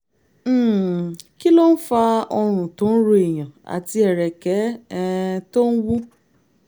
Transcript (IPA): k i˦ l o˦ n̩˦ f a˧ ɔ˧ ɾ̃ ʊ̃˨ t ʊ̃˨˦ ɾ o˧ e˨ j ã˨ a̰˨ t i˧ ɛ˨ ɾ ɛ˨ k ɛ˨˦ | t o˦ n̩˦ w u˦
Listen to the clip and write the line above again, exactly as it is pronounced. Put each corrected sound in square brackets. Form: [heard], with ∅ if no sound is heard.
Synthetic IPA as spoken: k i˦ l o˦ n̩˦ f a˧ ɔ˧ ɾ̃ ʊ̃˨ t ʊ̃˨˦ ɾ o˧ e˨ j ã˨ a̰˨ t i˧ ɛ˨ ɾ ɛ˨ k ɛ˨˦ | t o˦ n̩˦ w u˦

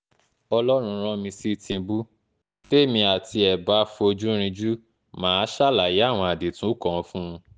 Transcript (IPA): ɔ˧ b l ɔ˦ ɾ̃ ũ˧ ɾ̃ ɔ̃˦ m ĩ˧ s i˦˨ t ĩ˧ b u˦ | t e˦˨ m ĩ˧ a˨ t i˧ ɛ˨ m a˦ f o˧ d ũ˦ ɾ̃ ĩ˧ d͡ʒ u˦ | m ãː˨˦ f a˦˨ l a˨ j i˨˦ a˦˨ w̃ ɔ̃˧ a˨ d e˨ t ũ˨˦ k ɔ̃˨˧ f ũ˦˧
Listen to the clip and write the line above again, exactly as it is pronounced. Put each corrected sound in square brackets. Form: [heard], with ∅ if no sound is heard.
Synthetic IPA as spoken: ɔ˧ [∅] l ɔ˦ ɾ̃ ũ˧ ɾ̃ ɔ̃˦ m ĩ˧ s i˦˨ t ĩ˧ b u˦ | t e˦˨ m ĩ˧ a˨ t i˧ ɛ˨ [b] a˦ f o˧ [d͡ʒ] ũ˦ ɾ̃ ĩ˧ d͡ʒ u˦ | m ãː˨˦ [ʃ] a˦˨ l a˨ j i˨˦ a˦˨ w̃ ɔ̃˧ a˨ d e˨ t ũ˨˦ k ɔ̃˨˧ f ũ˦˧

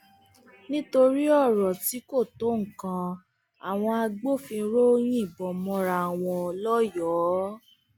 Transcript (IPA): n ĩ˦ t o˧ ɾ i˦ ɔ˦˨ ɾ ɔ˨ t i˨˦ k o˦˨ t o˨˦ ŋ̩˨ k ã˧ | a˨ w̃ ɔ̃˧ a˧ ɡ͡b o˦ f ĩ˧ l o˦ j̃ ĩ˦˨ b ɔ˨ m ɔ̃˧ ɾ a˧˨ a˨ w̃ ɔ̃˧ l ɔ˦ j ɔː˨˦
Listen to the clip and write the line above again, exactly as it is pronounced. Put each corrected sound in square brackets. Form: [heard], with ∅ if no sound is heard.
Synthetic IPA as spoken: n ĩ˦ t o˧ ɾ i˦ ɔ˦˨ ɾ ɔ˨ t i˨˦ k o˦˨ t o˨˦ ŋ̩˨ k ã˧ | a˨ w̃ ɔ̃˧ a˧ ɡ͡b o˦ f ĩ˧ [ɾ] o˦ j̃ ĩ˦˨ b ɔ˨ m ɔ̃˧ ɾ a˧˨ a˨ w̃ ɔ̃˧ l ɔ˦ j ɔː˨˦

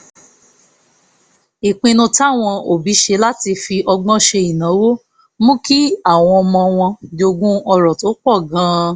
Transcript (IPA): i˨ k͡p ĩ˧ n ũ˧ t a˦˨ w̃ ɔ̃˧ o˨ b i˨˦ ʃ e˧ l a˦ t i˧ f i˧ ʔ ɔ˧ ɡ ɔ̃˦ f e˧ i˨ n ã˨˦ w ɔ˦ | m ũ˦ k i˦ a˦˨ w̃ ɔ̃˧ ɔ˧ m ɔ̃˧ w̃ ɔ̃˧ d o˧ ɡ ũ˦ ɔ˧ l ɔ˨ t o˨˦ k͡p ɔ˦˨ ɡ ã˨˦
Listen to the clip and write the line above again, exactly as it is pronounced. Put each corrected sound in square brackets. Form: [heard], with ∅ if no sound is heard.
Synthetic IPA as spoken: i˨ k͡p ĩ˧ n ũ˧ t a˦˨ w̃ ɔ̃˧ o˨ b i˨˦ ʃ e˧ l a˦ t i˧ f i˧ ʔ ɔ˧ [ɡ͡b] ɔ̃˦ [ʃ] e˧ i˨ n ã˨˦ w [o˦] | m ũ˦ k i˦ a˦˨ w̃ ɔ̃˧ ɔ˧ m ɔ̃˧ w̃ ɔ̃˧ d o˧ ɡ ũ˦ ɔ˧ [ɾ] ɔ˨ t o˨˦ k͡p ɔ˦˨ ɡ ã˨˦

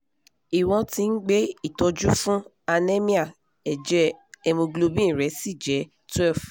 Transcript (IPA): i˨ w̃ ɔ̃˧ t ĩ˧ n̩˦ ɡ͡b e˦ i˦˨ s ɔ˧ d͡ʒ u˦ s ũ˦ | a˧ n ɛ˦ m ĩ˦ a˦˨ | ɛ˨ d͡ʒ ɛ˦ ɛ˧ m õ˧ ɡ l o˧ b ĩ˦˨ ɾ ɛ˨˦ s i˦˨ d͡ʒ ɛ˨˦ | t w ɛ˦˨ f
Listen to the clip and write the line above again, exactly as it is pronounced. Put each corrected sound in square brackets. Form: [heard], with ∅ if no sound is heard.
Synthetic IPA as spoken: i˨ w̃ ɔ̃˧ t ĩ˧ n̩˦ ɡ͡b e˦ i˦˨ [t] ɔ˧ d͡ʒ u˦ [f] ũ˦ | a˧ n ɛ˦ m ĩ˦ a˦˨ | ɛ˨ d͡ʒ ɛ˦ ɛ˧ m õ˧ ɡ l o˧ b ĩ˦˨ ɾ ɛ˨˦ s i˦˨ d͡ʒ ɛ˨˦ | t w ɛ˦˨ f

